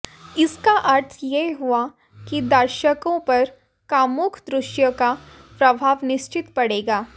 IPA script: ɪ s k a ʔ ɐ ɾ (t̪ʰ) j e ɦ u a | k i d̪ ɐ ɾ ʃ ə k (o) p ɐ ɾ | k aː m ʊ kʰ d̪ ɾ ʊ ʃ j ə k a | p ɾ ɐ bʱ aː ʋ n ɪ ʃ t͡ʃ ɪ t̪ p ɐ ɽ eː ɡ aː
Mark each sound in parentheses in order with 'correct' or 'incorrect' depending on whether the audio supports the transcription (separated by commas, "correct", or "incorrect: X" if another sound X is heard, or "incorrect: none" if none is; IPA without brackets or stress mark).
correct, incorrect: õ